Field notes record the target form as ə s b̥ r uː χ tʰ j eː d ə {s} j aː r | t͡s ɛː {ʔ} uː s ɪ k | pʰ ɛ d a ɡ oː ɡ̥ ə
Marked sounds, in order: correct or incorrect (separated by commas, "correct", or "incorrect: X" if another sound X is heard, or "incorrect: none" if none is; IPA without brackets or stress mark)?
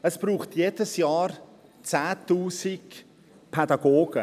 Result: correct, incorrect: t